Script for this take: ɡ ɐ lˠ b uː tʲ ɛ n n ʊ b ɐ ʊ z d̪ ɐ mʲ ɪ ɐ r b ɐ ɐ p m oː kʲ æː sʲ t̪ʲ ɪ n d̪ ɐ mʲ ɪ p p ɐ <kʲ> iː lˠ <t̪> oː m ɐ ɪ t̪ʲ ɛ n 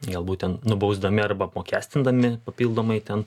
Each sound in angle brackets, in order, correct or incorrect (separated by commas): incorrect, incorrect